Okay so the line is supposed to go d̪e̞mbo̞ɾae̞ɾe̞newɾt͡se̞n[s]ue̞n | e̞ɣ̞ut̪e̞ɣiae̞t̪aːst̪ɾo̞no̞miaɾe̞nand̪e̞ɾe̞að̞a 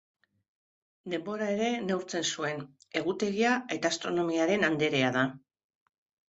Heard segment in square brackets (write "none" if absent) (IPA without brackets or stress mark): s